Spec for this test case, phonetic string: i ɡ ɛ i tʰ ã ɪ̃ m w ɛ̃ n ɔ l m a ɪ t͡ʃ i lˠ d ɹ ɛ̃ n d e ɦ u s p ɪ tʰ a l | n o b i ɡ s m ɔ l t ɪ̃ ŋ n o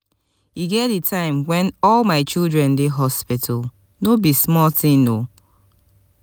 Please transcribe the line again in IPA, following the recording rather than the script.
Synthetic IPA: i ɡ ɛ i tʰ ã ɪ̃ m w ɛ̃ n ɔ l m a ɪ t͡ʃ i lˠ d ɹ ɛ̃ n d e ɦ ɔ s p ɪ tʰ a l | n o b i s m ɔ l t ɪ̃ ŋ n o